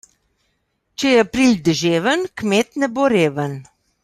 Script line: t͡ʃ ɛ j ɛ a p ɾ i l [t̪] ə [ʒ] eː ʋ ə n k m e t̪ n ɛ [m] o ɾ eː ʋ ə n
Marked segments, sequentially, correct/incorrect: incorrect, correct, incorrect

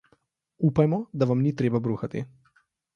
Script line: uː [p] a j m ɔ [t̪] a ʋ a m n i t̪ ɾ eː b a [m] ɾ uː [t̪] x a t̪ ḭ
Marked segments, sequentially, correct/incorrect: correct, incorrect, incorrect, incorrect

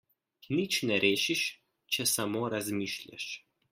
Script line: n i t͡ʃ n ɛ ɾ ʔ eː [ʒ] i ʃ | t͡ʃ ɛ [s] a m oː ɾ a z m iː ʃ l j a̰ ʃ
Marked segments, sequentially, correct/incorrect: incorrect, correct

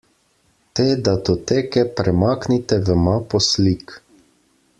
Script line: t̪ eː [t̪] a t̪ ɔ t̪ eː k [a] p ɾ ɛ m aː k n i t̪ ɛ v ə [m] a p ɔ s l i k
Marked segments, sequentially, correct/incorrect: incorrect, incorrect, correct

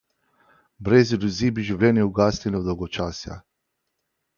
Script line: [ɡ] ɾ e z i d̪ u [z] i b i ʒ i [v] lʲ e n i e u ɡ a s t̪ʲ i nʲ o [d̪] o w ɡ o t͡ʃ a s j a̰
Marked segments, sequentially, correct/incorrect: incorrect, correct, correct, correct

